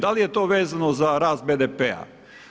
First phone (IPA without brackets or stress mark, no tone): d̪